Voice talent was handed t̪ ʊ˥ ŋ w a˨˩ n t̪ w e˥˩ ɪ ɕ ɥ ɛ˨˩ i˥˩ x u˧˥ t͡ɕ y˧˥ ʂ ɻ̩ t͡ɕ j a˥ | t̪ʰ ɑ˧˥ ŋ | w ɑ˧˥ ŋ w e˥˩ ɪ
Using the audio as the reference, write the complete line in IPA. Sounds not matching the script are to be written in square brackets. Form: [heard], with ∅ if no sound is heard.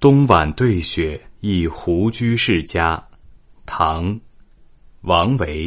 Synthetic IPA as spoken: t̪ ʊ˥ ŋ w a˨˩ n t̪ w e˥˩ ɪ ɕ ɥ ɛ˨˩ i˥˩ x u˧˥ t͡ɕ [y˥] ʂ ɻ̩ t͡ɕ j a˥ | t̪ʰ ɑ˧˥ ŋ | w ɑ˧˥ ŋ w [e˧˥] ɪ